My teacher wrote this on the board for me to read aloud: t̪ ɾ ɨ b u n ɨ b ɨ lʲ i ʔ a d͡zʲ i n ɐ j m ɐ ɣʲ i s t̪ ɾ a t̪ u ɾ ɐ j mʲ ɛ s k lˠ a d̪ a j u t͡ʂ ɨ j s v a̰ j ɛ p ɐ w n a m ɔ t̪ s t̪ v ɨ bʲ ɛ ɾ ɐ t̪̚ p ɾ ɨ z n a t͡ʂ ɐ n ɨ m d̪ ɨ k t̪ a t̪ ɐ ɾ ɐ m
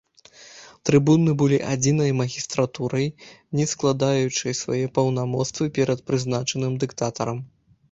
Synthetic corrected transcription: t̪ ɾ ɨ b u n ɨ b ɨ lʲ i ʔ a d͡zʲ i n ɐ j m ɐ ɣʲ i s t̪ ɾ a t̪ u ɾ ɐ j nʲ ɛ s k lˠ a d̪ a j u t͡ʂ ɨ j s v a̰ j ɛ p ɐ w n a m ɔ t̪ s t̪ v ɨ pʲ ɛ ɾ ɐ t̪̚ p ɾ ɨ z n a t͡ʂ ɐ n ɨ m d̪ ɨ k t̪ a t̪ ɐ ɾ ɐ m